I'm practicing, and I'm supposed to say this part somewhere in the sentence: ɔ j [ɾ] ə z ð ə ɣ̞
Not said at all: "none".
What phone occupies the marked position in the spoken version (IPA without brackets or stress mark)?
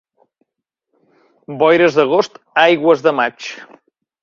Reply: ɾ